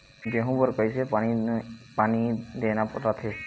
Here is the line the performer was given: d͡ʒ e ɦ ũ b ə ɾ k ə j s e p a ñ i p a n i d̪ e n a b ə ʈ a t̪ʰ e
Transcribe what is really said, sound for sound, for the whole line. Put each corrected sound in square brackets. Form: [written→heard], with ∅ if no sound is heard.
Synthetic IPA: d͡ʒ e ɦ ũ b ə ɾ k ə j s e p a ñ i p a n i d̪ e n a [b→p] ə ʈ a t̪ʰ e